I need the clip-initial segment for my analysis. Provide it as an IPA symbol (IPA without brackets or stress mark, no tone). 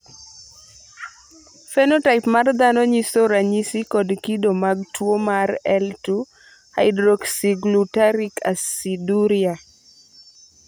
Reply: f